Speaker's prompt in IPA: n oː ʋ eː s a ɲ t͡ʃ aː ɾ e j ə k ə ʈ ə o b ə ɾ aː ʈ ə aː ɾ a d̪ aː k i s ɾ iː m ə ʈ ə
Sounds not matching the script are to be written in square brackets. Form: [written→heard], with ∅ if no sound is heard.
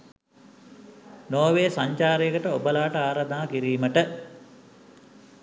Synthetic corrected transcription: n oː ʋ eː s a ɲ t͡ʃ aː ɾ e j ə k ə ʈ ə o b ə [ɾ→l] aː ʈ ə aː ɾ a d̪ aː k i [s→∅] ɾ iː m ə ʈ ə

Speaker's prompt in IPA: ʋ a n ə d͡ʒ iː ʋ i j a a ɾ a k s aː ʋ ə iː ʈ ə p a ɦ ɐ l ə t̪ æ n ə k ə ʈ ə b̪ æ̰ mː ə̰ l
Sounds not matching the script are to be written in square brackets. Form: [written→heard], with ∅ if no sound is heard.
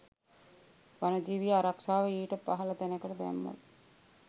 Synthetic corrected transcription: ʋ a n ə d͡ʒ iː ʋ i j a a ɾ a k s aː ʋ ə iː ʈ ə p a ɦ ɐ l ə t̪ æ n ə k ə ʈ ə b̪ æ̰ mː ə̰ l

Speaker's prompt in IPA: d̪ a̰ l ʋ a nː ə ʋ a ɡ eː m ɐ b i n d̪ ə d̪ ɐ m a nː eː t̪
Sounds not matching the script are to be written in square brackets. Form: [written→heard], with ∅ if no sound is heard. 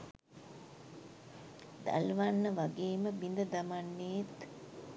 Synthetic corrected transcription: d̪ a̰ l ʋ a nː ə ʋ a ɡ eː m [ɐ→ə] b i n d̪ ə d̪ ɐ m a nː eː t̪

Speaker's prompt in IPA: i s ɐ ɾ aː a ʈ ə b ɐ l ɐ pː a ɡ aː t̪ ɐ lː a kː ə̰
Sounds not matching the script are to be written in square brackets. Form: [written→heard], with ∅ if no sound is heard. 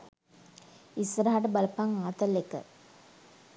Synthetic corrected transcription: i s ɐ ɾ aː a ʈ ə b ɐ l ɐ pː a [ɡ→ŋ] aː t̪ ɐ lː [a→e] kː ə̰

